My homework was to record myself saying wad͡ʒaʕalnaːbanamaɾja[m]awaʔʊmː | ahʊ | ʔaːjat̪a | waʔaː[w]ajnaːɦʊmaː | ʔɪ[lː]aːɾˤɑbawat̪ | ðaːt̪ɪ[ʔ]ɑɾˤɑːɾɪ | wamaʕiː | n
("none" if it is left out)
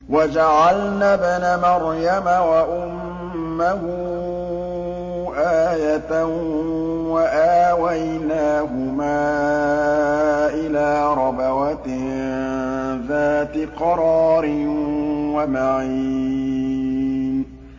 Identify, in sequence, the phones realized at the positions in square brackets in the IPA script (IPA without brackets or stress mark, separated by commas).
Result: m, w, l, q